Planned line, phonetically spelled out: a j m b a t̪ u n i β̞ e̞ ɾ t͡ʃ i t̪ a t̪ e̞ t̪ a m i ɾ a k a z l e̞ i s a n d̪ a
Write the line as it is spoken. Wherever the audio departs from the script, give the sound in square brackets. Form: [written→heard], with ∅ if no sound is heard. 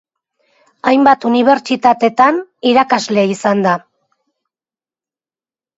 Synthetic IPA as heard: a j m b a t̪ u n i β̞ e̞ ɾ t͡ʃ i t̪ a t̪ e̞ t̪ a [m→n] i ɾ a k a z l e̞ i s a n d̪ a